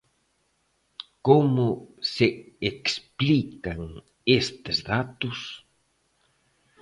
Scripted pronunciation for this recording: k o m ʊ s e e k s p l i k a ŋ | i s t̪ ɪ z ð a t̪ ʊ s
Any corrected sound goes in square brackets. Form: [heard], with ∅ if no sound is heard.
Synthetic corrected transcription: k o m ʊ s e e k s p l i k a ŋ | [e] s t̪ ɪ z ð a t̪ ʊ s